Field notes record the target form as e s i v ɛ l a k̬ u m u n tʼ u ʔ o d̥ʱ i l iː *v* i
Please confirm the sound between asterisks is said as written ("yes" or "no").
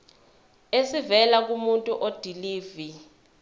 yes